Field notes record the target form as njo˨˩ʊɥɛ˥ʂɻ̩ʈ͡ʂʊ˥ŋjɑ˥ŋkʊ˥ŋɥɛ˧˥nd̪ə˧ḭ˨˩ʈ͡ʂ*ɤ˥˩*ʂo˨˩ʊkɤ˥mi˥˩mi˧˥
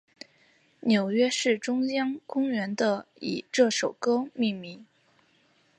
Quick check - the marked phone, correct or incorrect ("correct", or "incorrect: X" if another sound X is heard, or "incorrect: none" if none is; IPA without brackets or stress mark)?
correct